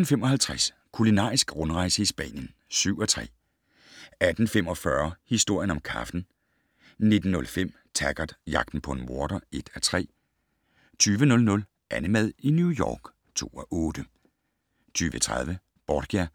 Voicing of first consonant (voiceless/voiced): voiced